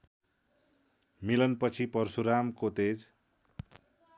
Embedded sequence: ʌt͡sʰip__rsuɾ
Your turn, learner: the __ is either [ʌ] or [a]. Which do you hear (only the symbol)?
ʌ